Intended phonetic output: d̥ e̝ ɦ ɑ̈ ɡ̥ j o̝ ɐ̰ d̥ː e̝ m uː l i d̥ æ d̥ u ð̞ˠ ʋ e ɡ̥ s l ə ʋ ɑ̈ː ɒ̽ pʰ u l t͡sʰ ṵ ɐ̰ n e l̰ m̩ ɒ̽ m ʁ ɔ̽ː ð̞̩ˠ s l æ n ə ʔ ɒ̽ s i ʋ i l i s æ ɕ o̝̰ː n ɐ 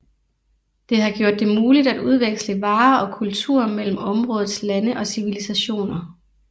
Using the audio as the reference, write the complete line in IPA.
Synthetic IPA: d̥ e̝ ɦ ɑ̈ ɡ̥ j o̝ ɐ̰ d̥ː e̝ m uː l i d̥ æ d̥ u ð̞ˠ ʋ e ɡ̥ s l ə ʋ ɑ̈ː ɒ̽ kʰ u l t͡sʰ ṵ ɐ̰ m e l̰ m̩ ɒ̽ m ʁ ɔ̽ː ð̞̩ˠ s l æ n ə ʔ ɒ̽ s i ʋ i l i s æ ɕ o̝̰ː n ɐ